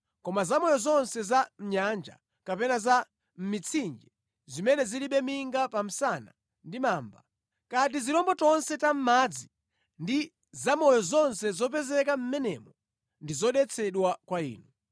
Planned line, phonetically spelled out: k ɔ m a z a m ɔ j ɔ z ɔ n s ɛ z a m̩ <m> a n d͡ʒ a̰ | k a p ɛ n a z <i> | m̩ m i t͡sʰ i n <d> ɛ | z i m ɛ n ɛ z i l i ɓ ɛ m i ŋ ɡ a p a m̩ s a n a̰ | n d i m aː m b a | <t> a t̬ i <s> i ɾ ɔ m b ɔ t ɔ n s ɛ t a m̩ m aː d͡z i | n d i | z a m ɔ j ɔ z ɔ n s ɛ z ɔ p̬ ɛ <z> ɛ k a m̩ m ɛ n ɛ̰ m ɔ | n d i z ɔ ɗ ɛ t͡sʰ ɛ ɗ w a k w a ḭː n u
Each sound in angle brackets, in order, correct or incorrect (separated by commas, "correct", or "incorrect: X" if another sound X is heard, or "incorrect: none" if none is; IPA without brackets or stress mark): incorrect: ɲ, incorrect: a, incorrect: d͡ʒ, incorrect: k, incorrect: z, correct